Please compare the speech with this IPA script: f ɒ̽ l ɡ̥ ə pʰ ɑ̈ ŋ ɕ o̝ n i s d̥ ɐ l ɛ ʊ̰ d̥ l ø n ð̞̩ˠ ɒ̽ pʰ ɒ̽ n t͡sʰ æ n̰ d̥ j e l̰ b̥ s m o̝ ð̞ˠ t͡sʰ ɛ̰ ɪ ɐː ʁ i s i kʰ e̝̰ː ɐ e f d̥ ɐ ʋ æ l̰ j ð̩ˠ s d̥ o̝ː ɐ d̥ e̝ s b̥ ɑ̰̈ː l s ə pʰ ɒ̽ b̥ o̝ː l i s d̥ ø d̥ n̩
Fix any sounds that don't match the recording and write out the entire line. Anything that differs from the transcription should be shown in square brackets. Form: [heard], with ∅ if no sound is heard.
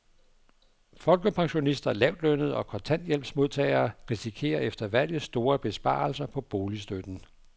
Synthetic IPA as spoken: f ɒ̽ l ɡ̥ ə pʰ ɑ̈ ŋ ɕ o̝ n i s d̥ ɐ l ɛ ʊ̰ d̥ l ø n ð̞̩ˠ ɒ̽ [kʰ] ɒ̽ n t͡sʰ æ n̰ d̥ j e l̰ b̥ s m o̝ ð̞ˠ t͡sʰ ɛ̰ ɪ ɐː ʁ i s i kʰ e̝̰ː ɐ e f d̥ ɐ ʋ æ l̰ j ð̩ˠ s d̥ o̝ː ɐ [b̥] e̝ s b̥ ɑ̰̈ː l s [ɐ] pʰ ɒ̽ b̥ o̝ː l i s d̥ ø d̥ n̩